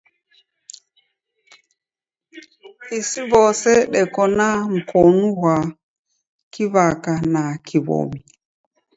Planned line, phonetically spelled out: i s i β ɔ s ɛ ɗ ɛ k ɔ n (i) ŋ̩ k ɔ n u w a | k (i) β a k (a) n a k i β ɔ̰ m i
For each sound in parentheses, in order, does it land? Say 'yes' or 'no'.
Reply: no, yes, yes

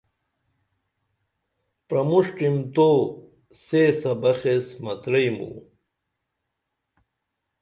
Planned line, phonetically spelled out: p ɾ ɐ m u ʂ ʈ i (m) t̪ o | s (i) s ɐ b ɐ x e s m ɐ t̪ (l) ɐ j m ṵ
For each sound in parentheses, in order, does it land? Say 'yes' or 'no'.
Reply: yes, no, no

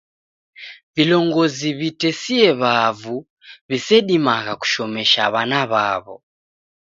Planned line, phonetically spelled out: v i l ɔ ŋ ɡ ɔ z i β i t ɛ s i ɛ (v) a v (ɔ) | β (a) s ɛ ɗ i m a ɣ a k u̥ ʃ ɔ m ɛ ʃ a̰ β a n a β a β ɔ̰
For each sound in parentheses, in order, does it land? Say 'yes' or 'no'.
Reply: no, no, no

